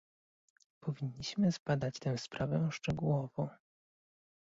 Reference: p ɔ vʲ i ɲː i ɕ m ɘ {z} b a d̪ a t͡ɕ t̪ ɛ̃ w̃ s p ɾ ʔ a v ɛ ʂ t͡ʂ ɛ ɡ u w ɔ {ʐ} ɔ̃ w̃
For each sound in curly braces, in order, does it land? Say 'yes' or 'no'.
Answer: yes, no

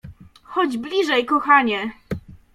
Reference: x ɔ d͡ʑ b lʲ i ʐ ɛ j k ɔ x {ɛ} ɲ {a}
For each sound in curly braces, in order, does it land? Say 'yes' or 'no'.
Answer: no, no

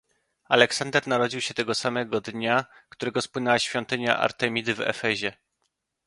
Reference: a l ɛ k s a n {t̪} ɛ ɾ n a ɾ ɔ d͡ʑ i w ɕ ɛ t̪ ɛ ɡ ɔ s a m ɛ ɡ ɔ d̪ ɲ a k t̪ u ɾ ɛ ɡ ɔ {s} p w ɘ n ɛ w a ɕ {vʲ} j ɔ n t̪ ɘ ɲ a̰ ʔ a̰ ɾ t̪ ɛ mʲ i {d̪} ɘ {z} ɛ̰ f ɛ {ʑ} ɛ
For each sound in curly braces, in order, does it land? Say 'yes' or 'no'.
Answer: no, yes, no, yes, no, yes

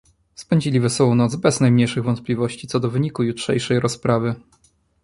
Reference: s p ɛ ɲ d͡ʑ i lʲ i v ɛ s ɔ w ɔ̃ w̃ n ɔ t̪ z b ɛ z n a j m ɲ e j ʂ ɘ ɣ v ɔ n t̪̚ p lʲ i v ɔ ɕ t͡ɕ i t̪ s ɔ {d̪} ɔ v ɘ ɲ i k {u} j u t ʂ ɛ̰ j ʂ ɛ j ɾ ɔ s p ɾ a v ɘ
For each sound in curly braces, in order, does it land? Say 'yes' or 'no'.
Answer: yes, yes

